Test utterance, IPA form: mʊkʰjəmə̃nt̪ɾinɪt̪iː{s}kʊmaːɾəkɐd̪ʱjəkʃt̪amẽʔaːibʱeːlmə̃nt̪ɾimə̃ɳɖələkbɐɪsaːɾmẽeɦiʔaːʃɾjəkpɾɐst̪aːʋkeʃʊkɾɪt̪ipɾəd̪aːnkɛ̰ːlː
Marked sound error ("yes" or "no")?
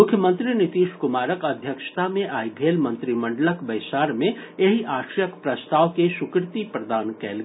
yes